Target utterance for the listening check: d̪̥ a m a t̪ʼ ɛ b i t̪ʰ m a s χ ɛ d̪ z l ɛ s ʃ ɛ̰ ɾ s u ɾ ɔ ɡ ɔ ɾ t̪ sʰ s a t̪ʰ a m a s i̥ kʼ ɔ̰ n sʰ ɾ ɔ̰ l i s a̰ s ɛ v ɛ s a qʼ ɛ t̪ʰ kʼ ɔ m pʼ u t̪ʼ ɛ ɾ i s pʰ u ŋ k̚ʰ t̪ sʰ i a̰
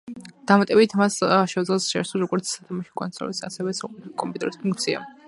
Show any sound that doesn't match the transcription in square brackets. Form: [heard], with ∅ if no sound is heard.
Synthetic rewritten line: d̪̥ a m a t̪ʼ ɛ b i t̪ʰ m a s [ʃ] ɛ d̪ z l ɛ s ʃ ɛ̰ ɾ s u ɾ ɔ ɡ ɔ ɾ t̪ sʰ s a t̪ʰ a m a [ʃ] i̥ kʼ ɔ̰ n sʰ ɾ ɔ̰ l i s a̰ s ɛ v ɛ s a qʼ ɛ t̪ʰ kʼ ɔ m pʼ u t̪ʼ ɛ ɾ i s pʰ u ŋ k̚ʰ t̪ sʰ i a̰